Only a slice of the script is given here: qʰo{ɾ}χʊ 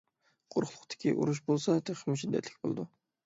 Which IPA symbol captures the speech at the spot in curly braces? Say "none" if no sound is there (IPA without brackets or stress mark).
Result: ɾ